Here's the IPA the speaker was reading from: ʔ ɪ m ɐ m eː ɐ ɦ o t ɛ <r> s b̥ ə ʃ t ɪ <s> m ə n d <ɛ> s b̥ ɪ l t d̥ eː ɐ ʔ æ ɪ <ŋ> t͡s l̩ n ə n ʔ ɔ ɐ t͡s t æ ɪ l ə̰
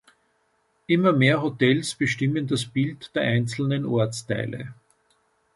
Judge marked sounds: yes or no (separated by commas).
no, no, no, no